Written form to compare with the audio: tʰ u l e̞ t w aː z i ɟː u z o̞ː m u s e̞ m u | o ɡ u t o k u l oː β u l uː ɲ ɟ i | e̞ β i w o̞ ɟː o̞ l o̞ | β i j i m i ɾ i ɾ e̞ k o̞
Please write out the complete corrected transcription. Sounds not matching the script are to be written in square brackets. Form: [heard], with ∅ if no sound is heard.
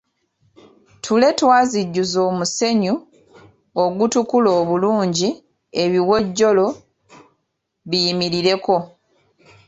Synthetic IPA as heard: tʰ u l e̞ t w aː z i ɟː u z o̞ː m u s e̞ [ɲ] u | o ɡ u t [u] k u l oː β u l uː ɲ ɟ i | e̞ β i w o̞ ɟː o̞ l o̞ | β i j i m i ɾ i ɾ e̞ k o̞

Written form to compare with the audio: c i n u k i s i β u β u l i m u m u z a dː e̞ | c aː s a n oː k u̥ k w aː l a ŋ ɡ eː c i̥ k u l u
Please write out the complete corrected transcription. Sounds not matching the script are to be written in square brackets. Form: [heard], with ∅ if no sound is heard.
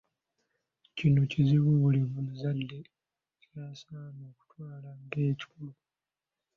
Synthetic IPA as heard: c i n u [c] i [z] i β u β u l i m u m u z a dː e̞ | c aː s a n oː k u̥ [t] w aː l a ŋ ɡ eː c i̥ k u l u

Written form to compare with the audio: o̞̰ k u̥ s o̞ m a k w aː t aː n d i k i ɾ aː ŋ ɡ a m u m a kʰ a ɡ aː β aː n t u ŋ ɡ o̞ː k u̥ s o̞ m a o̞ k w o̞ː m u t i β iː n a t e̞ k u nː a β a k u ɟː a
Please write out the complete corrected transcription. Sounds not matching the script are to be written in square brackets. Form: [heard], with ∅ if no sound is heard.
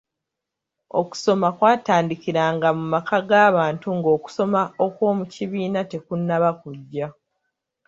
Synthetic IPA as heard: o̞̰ k u̥ s o̞ m a k w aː t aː n d i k i ɾ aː ŋ ɡ a m u m a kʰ a ɡ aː β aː n t u ŋ ɡ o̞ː k u̥ s o̞ m a o̞ k w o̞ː m u [c] i β iː n a t e̞ k u nː a β a k u ɟː a

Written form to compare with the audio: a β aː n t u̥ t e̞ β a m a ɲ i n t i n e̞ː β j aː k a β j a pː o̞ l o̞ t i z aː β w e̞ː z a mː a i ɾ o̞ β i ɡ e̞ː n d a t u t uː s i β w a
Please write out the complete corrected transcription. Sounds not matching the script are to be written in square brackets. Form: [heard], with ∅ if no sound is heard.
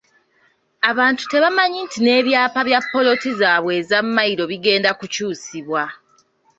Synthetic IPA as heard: a β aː n t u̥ t e̞ β a m a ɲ i n t i n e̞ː β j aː [p] a β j a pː o̞ l o̞ t i z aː β w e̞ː z a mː a i ɾ o̞ β i ɡ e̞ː n d a [k] u [c] uː s i β w a

